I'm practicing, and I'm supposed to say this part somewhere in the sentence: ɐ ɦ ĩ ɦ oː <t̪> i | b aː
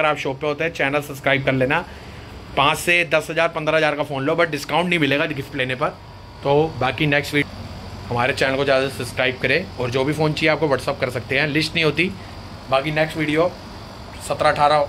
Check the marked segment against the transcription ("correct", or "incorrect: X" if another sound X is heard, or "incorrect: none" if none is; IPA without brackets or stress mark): correct